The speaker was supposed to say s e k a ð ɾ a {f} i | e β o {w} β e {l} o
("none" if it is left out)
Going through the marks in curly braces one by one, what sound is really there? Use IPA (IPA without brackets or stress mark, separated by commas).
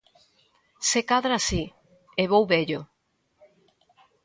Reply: s, w, ʎ